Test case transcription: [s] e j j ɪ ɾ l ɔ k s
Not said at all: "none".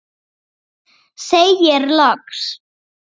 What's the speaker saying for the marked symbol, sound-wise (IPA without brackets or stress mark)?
s